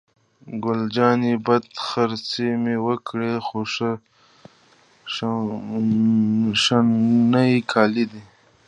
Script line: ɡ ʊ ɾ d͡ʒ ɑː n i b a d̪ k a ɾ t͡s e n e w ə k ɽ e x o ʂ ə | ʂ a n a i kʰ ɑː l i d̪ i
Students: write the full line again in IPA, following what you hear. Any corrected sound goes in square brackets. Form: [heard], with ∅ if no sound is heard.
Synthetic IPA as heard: ɡ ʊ [l] d͡ʒ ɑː n i b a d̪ [x] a ɾ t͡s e [m] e w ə k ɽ e x o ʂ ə | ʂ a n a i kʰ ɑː l i d̪ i